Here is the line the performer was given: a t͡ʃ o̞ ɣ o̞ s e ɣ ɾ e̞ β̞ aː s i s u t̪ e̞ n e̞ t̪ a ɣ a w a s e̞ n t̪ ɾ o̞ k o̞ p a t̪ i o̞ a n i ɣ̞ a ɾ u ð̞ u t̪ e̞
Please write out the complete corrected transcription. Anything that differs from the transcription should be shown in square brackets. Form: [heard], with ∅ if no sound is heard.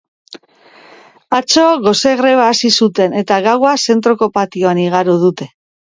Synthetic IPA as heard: a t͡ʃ o̞ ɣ o̞ s e ɣ ɾ e̞ β̞ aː s i s u t̪ e̞ n e̞ t̪ a ɣ a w a s e̞ n t̪ ɾ o̞ k o̞ p a t̪ i o̞ a n i ɣ̞ a ɾ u ð̞ u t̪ e̞